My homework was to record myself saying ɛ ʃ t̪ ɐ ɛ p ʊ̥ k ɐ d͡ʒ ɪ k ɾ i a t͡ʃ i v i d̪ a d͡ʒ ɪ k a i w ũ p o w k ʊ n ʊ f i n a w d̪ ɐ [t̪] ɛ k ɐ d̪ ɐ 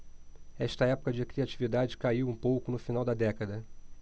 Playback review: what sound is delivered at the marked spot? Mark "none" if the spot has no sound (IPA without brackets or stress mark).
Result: d̪